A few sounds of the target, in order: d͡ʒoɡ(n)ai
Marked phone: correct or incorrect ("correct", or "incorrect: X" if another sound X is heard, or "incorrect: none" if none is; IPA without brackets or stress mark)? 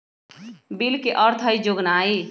correct